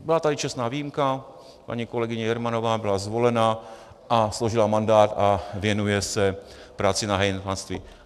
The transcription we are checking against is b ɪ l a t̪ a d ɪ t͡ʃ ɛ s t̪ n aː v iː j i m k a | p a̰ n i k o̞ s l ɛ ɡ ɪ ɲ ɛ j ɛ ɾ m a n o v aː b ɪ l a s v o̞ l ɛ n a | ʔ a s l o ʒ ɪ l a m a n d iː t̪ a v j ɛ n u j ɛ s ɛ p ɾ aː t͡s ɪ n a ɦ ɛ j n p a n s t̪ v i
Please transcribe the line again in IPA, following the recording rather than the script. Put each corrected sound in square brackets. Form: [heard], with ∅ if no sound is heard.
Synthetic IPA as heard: b ɪ l a t̪ a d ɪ t͡ʃ ɛ s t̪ n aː v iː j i m k a | p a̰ [ɲ] i k o̞ [∅] l ɛ ɡ ɪ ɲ ɛ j ɛ ɾ m a n o v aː b ɪ l a [z] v o̞ l ɛ n a | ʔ a s l o ʒ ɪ l a m a n d [aː] t̪ a v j ɛ n u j ɛ s ɛ p ɾ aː t͡s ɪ n a ɦ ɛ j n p a n s t̪ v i